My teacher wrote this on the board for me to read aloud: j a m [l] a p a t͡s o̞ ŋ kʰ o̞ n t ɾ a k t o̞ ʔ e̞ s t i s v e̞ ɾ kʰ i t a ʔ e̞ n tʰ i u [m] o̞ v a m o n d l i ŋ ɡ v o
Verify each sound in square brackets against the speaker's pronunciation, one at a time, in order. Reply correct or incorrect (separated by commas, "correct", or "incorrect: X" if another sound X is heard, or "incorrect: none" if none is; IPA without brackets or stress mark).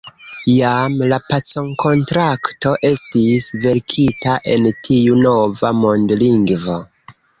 correct, incorrect: n